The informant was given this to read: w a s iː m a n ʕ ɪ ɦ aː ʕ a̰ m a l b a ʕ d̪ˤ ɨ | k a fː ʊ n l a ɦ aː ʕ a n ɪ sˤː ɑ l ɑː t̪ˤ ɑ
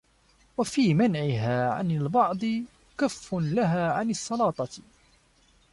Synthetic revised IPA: w a f iː m a n ʕ ɪ ɦ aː ʕ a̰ n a l b ɑ ʕ d̪ˤ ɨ | k a fː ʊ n l a ɦ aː ʕ a n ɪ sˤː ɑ l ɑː t̪ˤ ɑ